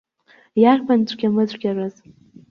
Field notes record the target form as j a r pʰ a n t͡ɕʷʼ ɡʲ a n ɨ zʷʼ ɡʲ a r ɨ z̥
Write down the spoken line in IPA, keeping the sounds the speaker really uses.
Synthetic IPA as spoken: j a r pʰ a n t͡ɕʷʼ ɡʲ a m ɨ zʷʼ ɡʲ a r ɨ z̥